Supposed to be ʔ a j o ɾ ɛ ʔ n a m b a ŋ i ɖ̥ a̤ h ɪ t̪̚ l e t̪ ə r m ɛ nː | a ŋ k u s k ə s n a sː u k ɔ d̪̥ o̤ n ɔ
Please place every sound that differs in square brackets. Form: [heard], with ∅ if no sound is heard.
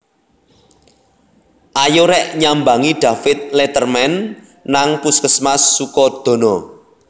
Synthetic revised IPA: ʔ a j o ɾ ɛ ʔ [ɲ] a m b a ŋ i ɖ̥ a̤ [f] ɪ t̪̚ l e t̪ ə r m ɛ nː | a ŋ [p] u s k ə s [m] a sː u k ɔ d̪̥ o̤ n ɔ